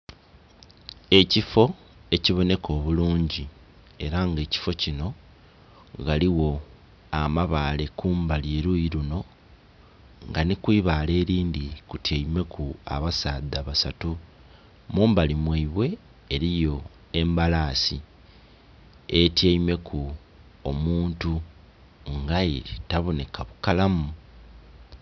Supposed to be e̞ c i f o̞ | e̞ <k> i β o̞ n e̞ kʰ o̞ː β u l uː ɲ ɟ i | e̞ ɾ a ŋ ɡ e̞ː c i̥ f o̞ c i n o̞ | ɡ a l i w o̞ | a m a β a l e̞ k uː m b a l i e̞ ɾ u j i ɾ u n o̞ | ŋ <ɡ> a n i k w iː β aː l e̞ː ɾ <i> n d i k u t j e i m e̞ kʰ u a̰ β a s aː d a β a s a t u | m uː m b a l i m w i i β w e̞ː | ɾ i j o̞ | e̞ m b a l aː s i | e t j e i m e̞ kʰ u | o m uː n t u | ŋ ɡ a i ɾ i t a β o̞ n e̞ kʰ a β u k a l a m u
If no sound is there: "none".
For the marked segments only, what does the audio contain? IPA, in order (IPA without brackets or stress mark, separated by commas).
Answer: c, ɡ, iː